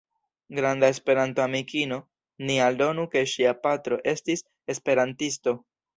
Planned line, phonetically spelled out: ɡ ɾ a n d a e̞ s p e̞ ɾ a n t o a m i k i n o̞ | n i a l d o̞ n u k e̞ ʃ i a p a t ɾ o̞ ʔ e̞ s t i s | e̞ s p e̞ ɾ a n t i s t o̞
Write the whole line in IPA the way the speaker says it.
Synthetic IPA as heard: ɡ ɾ a n d a e̞ s p e̞ ɾ a n t o a m i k i n o̞ | n i a l d o̞ n u k e̞ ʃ i a p a t ɾ o̞ ʔ e̞ s t i s | e̞ s p e̞ ɾ a n t i s t o̞